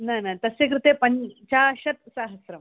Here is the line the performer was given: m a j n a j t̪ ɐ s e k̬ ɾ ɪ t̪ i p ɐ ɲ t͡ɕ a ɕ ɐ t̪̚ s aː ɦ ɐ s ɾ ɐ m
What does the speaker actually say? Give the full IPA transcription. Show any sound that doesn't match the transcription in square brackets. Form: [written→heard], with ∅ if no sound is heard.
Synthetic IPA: [m→n] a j n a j t̪ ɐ s e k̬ ɾ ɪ t̪ [i→e] p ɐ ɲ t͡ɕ a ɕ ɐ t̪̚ s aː ɦ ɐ s ɾ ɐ m